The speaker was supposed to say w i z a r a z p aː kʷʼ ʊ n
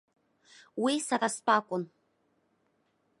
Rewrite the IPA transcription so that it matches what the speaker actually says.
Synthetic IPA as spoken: w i s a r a s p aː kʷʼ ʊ n